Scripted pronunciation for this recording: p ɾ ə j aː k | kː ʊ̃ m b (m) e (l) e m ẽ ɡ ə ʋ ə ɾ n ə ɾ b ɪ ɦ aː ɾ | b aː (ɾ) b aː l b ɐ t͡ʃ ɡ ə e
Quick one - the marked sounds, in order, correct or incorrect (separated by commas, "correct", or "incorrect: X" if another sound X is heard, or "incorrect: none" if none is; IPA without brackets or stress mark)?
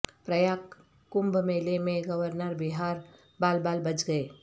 correct, correct, incorrect: l